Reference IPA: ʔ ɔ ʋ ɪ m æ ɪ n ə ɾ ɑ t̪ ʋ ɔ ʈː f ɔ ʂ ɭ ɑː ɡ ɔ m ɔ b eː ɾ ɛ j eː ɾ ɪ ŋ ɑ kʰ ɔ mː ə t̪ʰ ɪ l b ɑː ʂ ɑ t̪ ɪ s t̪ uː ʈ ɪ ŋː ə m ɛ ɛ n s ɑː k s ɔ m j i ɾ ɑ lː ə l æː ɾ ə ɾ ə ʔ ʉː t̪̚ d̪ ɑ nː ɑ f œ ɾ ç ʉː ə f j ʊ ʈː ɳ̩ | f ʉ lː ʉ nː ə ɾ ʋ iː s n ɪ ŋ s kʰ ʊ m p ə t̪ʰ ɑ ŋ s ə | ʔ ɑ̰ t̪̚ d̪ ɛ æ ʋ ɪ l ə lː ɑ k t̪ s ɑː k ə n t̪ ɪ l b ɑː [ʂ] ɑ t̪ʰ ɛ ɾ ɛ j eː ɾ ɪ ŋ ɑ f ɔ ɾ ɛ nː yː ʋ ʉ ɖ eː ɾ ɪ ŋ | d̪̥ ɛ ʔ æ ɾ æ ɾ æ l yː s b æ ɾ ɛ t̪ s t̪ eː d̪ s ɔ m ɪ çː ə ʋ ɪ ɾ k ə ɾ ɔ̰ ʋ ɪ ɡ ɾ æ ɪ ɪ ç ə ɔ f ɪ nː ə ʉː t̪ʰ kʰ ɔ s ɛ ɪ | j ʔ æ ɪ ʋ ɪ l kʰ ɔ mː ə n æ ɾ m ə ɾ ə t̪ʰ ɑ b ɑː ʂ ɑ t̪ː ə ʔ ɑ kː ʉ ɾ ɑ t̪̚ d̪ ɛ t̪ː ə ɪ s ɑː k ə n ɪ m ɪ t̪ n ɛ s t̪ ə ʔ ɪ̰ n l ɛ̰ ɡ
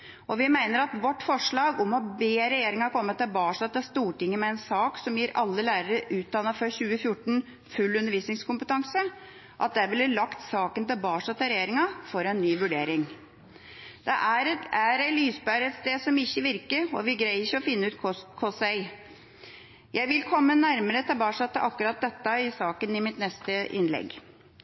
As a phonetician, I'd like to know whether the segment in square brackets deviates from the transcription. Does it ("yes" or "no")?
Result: no